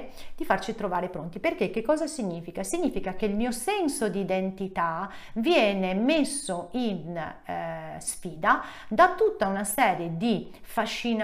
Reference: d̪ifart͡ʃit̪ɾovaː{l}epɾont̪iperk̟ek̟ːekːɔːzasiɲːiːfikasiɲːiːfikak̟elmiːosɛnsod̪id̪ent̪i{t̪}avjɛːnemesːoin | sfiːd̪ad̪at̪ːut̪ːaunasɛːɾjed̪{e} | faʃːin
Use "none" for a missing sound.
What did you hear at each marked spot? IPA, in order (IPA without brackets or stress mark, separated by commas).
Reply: ɾ, t̪, i